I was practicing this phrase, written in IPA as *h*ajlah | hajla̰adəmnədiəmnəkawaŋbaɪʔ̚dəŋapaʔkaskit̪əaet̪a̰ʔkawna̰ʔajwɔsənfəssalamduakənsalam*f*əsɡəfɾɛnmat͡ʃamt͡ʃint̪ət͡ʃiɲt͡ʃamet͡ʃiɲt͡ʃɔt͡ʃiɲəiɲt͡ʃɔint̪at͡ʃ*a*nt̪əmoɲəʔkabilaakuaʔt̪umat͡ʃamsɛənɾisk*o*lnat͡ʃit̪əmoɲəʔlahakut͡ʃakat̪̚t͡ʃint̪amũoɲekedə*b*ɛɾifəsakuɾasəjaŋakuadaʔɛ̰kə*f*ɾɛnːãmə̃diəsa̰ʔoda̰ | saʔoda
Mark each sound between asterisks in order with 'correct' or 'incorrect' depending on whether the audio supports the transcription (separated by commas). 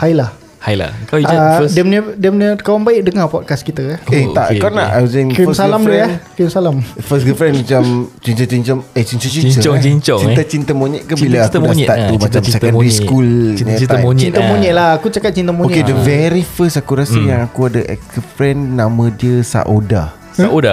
correct, correct, incorrect, incorrect, incorrect, correct